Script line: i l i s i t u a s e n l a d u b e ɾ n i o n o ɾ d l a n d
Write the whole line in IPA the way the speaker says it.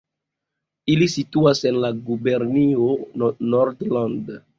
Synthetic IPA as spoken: i l i s i t u a s e n l a ɡ u b e ɾ n i o n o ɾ d l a n d